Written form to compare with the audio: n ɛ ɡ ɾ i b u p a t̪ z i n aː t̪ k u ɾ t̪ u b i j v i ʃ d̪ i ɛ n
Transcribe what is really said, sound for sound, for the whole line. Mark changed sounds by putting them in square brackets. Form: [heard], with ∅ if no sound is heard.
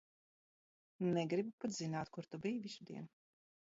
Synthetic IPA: n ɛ ɡ ɾ i b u p a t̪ z i n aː t̪ k u ɾ t̪ u b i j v i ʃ d̪ i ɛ n